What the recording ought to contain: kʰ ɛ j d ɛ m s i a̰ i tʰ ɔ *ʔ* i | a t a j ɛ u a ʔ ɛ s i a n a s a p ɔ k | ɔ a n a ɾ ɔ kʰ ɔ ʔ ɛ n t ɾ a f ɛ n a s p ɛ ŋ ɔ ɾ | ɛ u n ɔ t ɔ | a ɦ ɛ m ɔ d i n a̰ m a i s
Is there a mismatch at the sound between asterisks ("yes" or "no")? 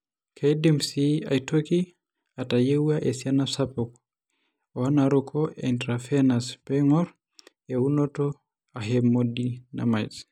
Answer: yes